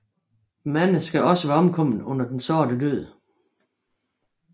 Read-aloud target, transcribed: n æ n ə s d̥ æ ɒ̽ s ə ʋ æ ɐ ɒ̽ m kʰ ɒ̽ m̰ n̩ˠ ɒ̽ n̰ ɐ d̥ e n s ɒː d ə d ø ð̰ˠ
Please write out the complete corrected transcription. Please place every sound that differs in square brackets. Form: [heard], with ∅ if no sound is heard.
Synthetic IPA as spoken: [m] æ n ə s [ɡ̥] æ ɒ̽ s ə ʋ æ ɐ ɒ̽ m kʰ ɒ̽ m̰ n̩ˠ [ɔ̽] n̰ ɐ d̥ e n s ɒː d ə d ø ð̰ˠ

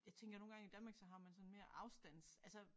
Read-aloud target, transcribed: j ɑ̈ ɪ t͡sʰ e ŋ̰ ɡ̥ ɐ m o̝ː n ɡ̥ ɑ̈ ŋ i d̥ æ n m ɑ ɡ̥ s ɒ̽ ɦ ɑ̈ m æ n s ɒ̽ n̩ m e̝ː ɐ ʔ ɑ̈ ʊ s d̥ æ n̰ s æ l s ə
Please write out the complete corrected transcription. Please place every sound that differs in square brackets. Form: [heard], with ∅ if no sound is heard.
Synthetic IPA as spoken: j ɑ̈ ɪ t͡sʰ e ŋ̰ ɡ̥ ɐ [n] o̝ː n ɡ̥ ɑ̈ ŋ i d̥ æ n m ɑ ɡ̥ s ɒ̽ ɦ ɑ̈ m æ n s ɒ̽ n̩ m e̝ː ɐ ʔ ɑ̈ ʊ s d̥ æ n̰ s æ l s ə

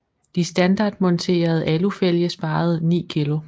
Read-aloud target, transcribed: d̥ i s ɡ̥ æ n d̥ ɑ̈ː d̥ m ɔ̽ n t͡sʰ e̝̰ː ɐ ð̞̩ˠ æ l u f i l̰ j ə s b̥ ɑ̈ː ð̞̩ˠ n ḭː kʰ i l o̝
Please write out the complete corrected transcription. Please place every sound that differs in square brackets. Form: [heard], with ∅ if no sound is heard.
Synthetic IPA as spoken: d̥ i s [d̥] æ n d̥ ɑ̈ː d̥ m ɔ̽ n t͡sʰ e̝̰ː ɐ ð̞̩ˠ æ l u f [e] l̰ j ə s b̥ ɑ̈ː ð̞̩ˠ n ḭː kʰ i l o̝

